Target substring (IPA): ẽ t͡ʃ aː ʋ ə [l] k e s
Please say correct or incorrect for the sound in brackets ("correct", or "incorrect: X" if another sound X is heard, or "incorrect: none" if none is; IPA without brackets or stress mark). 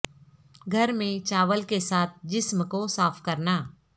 correct